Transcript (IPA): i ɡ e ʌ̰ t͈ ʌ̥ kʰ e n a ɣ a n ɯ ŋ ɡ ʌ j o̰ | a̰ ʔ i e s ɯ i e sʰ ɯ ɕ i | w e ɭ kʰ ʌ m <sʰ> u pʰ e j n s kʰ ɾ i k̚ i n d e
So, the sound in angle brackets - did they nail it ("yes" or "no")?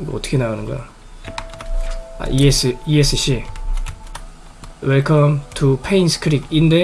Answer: no